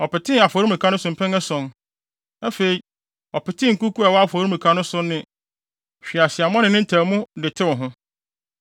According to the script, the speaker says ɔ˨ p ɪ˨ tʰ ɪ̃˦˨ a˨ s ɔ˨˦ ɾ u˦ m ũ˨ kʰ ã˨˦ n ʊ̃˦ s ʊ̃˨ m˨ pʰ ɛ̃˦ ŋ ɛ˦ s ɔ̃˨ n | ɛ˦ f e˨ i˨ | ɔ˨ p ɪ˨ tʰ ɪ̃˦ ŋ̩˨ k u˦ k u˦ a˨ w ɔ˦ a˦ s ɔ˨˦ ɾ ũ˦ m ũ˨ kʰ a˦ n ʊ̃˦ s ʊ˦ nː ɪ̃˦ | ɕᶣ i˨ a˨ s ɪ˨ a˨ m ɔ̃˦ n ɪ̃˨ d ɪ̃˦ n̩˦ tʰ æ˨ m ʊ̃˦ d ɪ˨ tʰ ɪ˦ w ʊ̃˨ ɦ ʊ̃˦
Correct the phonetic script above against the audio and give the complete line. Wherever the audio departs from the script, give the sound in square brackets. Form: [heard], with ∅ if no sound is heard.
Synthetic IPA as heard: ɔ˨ p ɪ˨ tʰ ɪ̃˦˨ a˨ [f] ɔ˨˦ ɾ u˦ m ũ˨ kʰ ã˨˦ n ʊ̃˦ s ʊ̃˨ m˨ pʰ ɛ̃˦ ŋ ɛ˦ s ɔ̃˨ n | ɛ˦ f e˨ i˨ | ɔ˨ p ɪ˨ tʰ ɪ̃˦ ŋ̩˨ k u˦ k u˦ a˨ w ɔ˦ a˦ [f] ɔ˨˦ ɾ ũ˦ m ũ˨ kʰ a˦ n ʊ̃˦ s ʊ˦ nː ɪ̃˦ | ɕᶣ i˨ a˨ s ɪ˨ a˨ m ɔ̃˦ n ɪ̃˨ [n] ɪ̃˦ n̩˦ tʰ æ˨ m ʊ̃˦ d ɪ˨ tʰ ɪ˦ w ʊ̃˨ ɦ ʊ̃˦